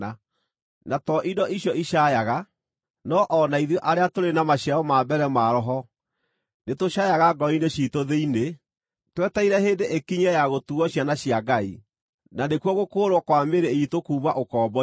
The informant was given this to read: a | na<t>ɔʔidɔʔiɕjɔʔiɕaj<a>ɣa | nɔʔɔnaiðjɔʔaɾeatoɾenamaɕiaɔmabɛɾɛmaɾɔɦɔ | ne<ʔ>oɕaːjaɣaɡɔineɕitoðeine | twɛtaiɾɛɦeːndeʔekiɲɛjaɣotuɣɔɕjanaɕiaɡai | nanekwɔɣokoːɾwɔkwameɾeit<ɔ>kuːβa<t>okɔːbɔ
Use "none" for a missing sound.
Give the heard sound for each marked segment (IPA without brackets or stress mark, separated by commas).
t, a, t, o, ʔ